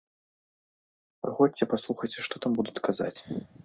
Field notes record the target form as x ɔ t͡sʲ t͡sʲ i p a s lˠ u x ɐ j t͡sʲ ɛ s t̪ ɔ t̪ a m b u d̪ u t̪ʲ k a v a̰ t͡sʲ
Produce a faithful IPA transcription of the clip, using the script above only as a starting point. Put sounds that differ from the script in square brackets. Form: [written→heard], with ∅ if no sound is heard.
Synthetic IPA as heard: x ɔ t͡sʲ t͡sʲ [i→ɛ] p a s lˠ u x ɐ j t͡sʲ ɛ [s→ʂ] t̪ ɔ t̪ a m b u d̪ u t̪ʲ k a [v→z] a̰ t͡sʲ